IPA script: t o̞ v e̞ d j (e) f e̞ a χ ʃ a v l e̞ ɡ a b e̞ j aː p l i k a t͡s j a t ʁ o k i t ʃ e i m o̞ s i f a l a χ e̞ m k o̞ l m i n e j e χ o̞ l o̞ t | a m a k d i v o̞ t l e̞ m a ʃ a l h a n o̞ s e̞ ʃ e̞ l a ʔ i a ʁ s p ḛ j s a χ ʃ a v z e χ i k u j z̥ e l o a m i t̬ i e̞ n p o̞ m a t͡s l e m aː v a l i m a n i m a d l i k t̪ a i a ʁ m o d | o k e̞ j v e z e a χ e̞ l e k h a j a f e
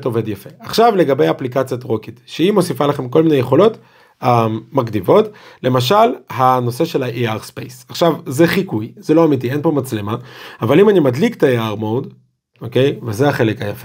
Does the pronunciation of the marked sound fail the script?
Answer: yes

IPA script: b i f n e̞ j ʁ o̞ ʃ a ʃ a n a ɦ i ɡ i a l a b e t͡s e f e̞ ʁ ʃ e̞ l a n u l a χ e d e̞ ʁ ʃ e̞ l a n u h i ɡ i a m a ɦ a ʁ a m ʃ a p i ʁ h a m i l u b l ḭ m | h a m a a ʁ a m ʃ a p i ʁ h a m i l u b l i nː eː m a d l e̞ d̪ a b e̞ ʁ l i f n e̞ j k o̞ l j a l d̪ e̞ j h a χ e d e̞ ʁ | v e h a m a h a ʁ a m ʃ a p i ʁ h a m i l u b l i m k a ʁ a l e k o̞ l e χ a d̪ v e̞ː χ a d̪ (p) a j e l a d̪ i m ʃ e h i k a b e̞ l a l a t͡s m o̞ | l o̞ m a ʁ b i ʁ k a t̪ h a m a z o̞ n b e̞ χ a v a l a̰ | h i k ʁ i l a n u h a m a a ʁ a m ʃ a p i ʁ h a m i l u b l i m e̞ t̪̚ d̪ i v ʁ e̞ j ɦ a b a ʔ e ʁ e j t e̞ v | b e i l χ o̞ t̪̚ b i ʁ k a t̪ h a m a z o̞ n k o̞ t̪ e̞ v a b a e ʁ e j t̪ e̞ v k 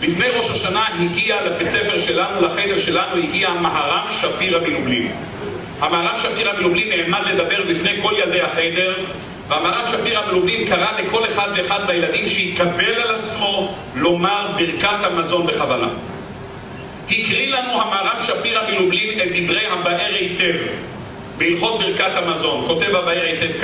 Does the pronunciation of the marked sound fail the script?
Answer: yes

